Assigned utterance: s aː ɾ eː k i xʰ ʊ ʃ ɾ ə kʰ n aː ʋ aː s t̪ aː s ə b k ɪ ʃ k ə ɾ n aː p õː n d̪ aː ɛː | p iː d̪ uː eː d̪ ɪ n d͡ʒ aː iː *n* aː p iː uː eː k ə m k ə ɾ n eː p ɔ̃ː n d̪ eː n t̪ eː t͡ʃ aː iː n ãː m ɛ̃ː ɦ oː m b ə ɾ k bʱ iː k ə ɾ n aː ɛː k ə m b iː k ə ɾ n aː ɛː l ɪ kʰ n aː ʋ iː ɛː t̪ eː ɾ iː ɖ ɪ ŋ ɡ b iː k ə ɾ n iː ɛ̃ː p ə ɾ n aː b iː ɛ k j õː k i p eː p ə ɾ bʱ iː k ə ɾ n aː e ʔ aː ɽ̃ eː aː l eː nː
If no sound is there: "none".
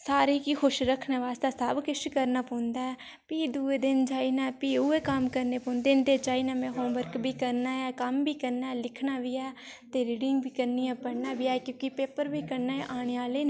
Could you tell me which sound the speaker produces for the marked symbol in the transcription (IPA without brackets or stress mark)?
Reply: n